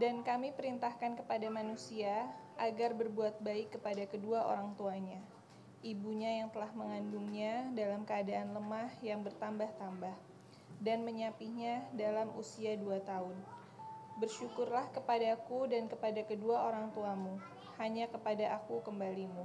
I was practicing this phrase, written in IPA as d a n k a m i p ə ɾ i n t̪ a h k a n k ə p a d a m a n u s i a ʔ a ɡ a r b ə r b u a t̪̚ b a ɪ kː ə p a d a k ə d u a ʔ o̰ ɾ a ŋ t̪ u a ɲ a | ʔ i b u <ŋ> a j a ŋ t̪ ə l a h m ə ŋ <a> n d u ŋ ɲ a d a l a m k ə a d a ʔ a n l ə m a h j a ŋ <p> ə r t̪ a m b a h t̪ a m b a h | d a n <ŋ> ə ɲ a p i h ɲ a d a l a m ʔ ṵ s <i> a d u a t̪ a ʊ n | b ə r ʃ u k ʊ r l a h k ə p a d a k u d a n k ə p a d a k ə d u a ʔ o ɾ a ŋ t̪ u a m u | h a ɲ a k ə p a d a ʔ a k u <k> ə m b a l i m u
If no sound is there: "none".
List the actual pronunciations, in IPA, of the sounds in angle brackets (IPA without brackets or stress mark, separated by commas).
ɲ, a, b, m, i, k